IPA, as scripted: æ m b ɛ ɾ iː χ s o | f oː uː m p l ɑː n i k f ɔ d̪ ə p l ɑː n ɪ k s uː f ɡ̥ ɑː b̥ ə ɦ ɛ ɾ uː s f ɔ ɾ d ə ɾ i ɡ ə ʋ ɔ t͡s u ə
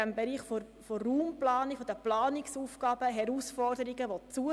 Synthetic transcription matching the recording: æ m b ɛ ɾ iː χ f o | f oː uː m p l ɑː n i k f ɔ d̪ ə p l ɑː n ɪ k s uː f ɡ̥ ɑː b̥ ə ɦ ɛ ɾ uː s f ɔ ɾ d ə ɾ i ɡ ə ʋ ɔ t͡s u ə